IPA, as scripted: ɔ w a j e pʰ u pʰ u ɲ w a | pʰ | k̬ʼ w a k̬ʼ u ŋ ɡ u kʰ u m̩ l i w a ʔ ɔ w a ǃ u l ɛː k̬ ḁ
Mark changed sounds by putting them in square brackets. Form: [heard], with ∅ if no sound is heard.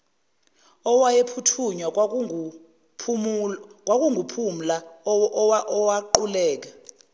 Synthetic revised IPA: ɔ w a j e pʰ u [tʰ] u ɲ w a | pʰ | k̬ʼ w a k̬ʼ u ŋ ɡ u [pʰ] u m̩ l [a] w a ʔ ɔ w a ǃ u l ɛː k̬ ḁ